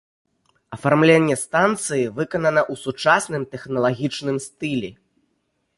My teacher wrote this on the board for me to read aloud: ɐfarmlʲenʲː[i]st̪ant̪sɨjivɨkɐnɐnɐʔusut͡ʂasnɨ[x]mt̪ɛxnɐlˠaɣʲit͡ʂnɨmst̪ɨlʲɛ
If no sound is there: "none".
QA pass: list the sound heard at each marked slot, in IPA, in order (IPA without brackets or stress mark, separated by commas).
ɛ, none